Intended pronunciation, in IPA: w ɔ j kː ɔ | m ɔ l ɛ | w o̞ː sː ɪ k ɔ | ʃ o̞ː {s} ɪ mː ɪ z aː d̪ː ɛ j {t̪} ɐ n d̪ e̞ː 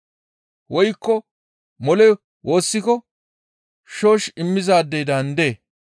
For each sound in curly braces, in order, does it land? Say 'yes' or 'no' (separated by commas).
no, no